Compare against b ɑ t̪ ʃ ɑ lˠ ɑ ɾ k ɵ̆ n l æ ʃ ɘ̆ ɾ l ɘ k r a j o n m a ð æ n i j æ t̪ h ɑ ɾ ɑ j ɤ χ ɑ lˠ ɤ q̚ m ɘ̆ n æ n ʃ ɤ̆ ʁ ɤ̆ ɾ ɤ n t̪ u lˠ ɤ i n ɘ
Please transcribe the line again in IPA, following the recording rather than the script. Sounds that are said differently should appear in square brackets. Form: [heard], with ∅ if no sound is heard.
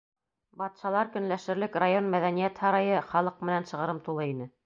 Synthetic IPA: b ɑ t̪ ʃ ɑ lˠ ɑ ɾ k ɵ̆ n l æ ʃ ɘ̆ ɾ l ɘ k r a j o n m [æ] ð æ n i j æ t̪ h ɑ ɾ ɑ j ɤ χ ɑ lˠ ɤ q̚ m ɘ̆ n æ n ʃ ɤ̆ ʁ ɤ̆ ɾ ɤ [m] t̪ u lˠ ɤ i n ɘ